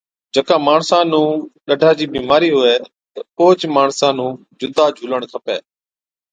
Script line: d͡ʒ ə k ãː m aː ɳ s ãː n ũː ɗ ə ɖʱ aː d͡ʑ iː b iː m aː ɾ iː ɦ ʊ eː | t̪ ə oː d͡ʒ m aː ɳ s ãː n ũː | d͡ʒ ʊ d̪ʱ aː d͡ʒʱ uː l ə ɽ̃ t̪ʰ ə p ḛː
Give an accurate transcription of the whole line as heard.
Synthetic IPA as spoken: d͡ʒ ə k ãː m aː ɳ s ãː n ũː ɗ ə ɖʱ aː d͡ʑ iː b iː m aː ɾ iː ɦ ʊ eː | t̪ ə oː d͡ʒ m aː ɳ s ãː n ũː | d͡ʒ ʊ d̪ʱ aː d͡ʒʱ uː l ə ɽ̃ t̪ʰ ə p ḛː